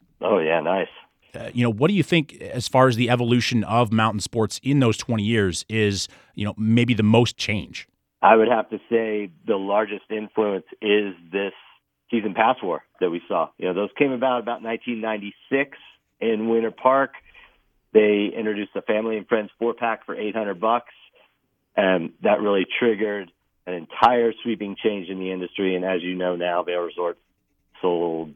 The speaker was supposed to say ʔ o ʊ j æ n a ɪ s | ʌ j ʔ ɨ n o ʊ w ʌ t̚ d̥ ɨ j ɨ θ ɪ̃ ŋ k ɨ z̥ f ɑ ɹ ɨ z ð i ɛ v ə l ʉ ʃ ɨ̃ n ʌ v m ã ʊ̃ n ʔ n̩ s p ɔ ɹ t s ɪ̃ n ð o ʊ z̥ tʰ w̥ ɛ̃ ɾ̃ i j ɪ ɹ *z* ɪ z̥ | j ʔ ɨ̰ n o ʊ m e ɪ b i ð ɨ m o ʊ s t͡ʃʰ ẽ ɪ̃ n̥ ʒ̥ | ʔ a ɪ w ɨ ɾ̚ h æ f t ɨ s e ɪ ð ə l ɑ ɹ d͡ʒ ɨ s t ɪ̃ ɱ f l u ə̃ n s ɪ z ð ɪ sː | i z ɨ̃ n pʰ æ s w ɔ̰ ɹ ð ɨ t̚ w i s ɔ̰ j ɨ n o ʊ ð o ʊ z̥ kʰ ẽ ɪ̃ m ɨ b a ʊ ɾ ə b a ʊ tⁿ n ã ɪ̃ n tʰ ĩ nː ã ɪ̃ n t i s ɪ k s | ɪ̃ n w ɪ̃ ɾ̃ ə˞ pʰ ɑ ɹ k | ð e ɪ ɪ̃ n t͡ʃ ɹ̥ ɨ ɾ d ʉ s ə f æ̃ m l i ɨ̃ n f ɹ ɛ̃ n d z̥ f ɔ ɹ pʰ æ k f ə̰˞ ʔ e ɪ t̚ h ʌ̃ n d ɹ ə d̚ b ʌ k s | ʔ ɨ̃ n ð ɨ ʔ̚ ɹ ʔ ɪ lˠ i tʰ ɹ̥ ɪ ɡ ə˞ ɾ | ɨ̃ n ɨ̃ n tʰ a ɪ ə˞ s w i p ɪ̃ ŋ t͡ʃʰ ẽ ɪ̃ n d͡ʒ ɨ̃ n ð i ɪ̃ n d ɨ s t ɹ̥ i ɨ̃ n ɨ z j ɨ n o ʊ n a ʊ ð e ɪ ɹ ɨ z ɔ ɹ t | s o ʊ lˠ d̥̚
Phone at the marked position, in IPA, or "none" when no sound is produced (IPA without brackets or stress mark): z